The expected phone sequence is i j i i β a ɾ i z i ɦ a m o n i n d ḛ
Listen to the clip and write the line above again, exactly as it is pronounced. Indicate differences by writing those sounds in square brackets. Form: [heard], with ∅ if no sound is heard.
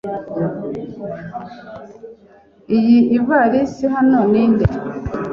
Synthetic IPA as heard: i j i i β a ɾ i [s] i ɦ a [n] o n i n d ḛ